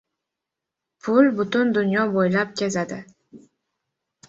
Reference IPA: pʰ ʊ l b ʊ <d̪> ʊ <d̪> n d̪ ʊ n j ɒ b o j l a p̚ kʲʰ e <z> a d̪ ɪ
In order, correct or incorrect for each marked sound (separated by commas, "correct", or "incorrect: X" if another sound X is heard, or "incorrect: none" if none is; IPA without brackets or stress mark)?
incorrect: t̪, incorrect: none, correct